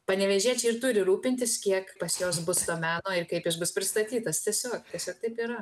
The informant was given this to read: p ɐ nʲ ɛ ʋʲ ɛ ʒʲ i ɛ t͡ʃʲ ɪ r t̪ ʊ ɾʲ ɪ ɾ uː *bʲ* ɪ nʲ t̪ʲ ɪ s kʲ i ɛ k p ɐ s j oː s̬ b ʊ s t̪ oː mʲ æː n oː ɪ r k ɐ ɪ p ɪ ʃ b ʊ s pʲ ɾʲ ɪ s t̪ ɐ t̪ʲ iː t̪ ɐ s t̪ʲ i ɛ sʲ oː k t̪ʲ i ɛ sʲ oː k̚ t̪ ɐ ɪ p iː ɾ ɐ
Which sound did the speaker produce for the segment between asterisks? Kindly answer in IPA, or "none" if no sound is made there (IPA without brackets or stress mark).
pʲ